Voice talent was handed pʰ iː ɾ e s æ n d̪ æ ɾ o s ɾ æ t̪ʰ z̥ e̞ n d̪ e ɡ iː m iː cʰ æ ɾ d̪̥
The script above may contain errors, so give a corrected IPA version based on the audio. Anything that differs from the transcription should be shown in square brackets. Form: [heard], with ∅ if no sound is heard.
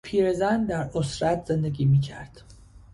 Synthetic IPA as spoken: pʰ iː ɾ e [z] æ n d̪ æ ɾ o s ɾ æ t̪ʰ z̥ e̞ n d̪ e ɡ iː m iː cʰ æ ɾ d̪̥